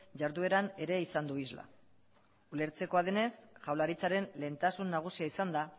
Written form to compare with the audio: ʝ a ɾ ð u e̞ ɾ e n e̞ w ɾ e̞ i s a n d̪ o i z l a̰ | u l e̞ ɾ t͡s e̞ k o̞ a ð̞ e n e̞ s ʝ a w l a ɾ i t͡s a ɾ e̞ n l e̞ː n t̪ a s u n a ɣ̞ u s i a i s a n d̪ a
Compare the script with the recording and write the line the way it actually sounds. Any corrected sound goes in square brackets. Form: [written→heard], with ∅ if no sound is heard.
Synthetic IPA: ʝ a ɾ ð u e̞ ɾ [e→a] n e̞ [w→∅] ɾ e̞ i s a n d̪ [o→u] i z l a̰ | u l e̞ ɾ t͡s e̞ k o̞ a ð̞ e n e̞ s ʝ a w l a ɾ i t͡s a ɾ e̞ n l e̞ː n t̪ a s u [n→nː] a ɣ̞ u s i a i s a n d̪ a